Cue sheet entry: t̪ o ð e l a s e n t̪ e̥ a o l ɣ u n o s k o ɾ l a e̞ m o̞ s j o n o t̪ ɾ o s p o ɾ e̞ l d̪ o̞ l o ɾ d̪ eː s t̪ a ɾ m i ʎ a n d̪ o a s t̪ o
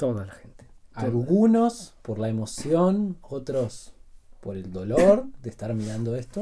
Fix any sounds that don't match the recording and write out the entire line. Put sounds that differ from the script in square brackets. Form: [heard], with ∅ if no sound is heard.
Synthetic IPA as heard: t̪ o ð [a] l a [x] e n t̪ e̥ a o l ɣ u n o s [p] o ɾ l a e̞ m o̞ s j o n o t̪ ɾ o s p o ɾ e̞ l d̪ o̞ l o ɾ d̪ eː s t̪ a ɾ m i [ɾ] a n d̪ o [e] s t̪ o